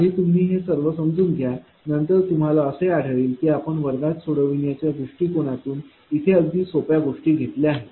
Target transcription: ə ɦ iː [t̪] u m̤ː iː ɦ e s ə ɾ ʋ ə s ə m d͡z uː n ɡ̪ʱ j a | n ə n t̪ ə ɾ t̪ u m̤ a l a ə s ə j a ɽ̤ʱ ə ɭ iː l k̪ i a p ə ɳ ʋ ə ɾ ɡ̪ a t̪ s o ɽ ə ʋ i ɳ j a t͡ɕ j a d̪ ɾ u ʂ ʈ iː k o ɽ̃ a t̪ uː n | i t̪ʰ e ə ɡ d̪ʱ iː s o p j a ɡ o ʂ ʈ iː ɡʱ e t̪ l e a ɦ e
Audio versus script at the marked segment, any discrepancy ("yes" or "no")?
no